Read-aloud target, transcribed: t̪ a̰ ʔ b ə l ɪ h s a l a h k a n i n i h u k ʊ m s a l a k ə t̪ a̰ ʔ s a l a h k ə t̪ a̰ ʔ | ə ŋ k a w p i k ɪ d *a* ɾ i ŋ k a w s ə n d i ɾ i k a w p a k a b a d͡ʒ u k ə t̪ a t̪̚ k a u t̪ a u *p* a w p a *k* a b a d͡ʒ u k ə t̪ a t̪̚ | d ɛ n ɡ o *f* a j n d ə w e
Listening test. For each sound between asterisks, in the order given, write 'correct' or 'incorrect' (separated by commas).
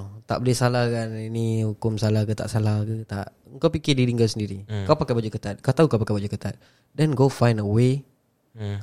incorrect, incorrect, correct, correct